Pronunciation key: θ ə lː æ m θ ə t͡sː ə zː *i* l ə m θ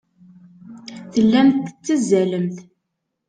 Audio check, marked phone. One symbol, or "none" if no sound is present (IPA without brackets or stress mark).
æ